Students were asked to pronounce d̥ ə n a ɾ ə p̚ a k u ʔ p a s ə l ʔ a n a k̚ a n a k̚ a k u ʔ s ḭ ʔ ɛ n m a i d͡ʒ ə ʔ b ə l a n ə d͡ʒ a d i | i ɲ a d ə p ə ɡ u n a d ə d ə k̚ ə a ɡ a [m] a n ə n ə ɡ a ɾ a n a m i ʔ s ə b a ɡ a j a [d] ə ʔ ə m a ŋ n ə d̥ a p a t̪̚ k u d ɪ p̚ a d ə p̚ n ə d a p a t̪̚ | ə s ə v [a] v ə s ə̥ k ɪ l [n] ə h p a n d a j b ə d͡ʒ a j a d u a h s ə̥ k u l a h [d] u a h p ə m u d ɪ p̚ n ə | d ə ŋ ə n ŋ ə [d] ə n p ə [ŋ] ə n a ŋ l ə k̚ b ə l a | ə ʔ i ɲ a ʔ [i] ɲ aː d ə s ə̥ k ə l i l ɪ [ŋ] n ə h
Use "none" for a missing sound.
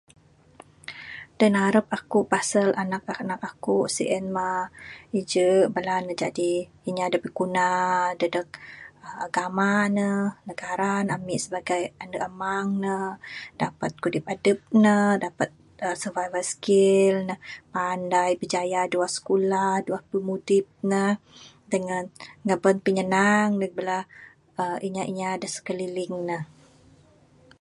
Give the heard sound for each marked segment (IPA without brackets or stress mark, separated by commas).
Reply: m, n, a, n, d, b, ɲ, i, ŋ